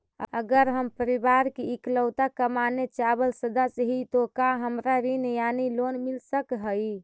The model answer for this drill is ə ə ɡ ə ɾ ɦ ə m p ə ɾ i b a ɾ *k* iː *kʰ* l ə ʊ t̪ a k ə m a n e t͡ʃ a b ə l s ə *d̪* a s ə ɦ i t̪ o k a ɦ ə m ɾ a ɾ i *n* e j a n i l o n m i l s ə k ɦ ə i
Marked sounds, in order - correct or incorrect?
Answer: correct, incorrect, correct, correct

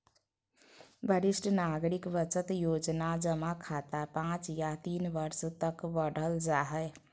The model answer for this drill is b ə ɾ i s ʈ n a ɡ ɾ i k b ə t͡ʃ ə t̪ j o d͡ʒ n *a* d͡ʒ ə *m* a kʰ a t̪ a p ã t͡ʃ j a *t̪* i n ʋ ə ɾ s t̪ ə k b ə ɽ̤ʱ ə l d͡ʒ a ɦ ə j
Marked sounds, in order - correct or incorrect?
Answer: correct, correct, correct

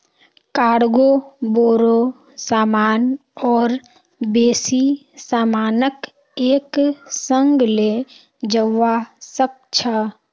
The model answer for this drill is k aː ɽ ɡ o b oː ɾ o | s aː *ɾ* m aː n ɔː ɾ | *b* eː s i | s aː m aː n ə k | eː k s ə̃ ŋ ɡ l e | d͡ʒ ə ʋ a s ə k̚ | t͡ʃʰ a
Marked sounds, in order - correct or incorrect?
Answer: incorrect, correct

